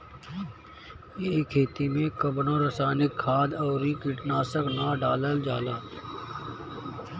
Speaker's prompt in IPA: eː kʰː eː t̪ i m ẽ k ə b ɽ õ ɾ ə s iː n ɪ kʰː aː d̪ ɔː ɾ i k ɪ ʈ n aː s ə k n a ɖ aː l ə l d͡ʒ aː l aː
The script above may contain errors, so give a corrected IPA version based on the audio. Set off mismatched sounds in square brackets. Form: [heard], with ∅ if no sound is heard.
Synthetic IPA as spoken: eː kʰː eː t̪ i m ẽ k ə b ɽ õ ɾ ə s [aː] n ɪ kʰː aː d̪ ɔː ɾ i k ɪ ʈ n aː s ə k n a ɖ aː l ə l d͡ʒ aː l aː